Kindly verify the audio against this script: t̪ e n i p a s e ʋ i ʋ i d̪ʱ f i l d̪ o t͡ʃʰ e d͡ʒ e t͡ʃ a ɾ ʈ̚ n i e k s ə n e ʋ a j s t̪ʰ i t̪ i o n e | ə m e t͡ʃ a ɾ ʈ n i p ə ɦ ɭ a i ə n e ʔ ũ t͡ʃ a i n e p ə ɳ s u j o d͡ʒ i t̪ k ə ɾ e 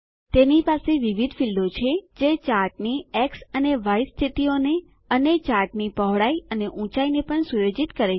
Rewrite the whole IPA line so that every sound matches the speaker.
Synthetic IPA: t̪ e n i p a s e ʋ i ʋ i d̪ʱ f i l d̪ o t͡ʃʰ e d͡ʒ e t͡ʃ a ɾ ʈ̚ n i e k s ə n e ʋ a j s t̪ʰ i t̪ i o n e | ə n e t͡ʃ a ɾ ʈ n i p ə ɦ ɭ a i ə n e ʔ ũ t͡ʃ a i n e p ə ɳ s u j o d͡ʒ i t̪ k ə ɾ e

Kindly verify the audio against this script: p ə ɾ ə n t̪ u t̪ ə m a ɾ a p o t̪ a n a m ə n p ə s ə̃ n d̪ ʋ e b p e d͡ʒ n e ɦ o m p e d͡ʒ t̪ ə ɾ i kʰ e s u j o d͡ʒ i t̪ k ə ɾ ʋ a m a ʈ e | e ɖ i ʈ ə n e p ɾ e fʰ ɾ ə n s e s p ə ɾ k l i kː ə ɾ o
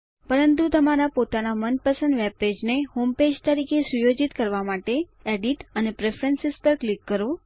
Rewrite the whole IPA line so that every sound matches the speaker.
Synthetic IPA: p ə ɾ ə n t̪ u t̪ ə m a ɾ a p o t̪ a n a m ə n p ə s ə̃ n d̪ ʋ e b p e d͡ʒ n e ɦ o m p e d͡ʒ t̪ ə ɾ i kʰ e s u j o d͡ʒ i t̪ k ə ɾ ʋ a m a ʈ e | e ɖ i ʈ ə n e p ɾ e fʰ ɾ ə n s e s p ə ɾ k l i kː ə ɾ o

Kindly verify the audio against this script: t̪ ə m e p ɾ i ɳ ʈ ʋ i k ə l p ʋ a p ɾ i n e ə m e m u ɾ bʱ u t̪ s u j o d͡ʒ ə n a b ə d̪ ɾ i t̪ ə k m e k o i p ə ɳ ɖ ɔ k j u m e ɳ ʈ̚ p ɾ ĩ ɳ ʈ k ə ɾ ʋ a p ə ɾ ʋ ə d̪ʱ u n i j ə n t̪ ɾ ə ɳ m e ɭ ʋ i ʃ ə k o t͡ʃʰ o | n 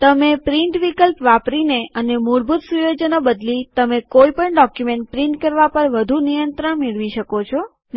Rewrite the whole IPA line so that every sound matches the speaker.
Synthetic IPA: t̪ ə m e p ɾ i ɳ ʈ ʋ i k ə l p ʋ a p ɾ i n e ə n e m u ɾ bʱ u t̪ s u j o d͡ʒ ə n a b ə d̪ l i t̪ ə m e k o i p ə ɳ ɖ ɔ k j u m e ɳ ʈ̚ p ɾ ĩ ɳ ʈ k ə ɾ ʋ a p ə ɾ ʋ ə d̪ʱ u n i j ə n t̪ ɾ ə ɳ m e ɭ ʋ i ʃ ə k o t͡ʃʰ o | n

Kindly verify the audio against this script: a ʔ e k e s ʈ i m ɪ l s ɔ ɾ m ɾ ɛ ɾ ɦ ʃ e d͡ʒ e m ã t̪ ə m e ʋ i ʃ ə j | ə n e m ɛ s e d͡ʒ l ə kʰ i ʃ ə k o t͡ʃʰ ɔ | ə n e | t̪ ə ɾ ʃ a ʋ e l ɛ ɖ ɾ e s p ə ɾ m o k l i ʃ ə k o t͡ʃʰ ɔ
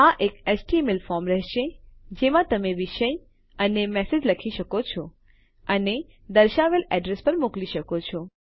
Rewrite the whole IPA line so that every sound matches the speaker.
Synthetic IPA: a ʔ e k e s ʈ i m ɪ l f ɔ ɾ m ɾ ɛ ɦ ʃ e d͡ʒ e m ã t̪ ə m e ʋ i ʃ ə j | ə n e m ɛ s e d͡ʒ l ə kʰ i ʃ ə k o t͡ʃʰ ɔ | ə n e | d̪ ə ɾ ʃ a ʋ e l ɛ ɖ ɾ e s p ə ɾ m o k l i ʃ ə k o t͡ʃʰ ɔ

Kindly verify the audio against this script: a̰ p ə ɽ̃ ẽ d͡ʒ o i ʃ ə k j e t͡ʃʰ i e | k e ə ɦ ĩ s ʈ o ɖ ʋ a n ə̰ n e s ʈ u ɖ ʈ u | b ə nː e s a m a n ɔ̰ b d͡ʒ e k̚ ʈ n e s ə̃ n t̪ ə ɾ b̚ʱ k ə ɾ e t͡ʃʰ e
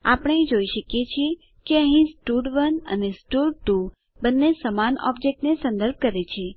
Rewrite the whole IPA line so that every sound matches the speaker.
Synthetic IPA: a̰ p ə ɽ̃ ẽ d͡ʒ o i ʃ ə k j e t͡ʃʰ i e | k e ə ɦ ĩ s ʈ u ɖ ʋ ə n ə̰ n e s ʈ u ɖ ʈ u | b ə nː e s ə m a n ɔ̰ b d͡ʒ e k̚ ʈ n e s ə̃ n d̪ ə ɾ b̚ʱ k ə ɾ e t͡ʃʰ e

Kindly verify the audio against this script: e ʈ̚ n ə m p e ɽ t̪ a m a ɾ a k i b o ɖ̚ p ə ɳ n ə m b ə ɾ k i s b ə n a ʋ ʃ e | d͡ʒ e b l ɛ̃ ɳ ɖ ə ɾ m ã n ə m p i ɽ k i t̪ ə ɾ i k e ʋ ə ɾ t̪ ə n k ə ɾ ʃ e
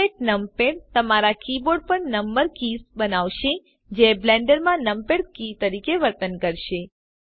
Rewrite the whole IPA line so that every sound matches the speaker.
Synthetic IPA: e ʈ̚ n ə m p e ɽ t̪ ə m a ɾ a k i b o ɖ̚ p ə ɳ n ə m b ə ɾ k i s b ə n a ʋ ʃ e | d͡ʒ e b l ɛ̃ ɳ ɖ ə ɾ m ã n ə m p e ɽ k i t̪ ə ɾ i k e ʋ ə ɾ t̪ ə n k ə ɾ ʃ e

